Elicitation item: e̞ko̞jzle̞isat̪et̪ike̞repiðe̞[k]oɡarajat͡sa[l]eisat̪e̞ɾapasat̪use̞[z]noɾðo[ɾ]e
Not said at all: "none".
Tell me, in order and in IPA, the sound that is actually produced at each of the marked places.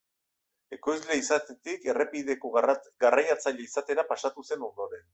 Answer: k, ʎ, none, ɾ

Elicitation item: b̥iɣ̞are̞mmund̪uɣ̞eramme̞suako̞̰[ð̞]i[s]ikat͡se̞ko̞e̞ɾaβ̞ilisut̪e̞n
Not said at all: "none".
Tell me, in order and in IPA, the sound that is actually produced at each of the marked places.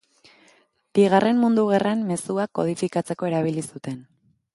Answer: ð̞, f

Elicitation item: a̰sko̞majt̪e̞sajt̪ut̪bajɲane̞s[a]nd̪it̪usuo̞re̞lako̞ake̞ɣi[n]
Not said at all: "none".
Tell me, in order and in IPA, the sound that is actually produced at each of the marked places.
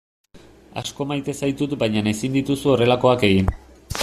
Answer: i, n

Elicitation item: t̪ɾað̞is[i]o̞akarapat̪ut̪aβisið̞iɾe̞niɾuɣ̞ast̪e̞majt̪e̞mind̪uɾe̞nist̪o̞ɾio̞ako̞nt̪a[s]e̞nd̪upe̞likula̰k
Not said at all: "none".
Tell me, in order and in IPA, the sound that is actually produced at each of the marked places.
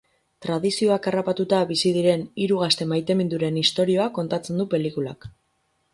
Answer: i, t͡s

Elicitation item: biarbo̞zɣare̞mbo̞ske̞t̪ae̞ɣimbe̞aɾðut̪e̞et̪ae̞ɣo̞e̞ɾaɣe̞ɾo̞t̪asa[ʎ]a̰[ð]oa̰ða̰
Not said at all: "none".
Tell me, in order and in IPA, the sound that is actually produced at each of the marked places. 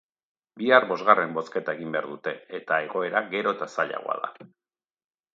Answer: ʎ, ɣ

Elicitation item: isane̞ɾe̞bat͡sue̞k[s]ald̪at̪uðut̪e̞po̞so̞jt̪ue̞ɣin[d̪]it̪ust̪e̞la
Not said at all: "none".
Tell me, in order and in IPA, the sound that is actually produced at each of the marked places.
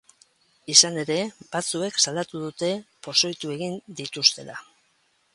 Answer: s, d̪

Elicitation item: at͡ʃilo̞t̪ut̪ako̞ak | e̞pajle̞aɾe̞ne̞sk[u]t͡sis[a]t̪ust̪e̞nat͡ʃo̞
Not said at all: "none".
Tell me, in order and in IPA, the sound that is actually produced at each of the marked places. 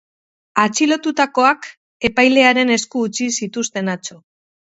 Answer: uː, i

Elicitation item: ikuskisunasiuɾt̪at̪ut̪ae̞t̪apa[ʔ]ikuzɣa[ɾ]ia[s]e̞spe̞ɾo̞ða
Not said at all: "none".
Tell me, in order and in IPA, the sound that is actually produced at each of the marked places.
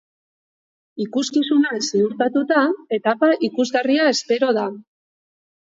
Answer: ʔ, r, none

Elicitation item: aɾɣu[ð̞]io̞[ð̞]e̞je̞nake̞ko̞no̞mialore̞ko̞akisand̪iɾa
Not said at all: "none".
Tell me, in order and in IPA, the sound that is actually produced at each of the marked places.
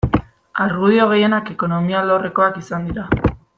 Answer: ð̞, ɣ̞

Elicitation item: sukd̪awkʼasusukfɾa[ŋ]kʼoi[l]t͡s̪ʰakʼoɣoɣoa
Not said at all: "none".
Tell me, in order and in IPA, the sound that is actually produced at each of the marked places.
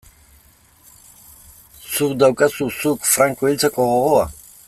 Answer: ŋ, l

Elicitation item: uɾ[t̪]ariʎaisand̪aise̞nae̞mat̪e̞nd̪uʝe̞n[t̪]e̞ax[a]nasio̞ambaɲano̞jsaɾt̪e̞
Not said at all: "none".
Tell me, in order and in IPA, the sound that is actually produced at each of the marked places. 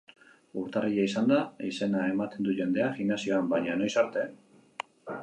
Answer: t̪, d̪, i

